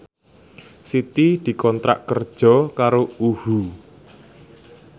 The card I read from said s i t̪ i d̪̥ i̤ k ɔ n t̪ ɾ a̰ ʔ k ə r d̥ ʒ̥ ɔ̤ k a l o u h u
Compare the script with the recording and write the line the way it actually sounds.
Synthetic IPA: s i t̪ i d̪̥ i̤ k ɔ n t̪ ɾ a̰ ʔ k ə r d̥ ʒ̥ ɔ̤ k a ɾ o u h u